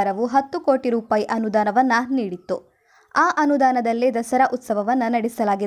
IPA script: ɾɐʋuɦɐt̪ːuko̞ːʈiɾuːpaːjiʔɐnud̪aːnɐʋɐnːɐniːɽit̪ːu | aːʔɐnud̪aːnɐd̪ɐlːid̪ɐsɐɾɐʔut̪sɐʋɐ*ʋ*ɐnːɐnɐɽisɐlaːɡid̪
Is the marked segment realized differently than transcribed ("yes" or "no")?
no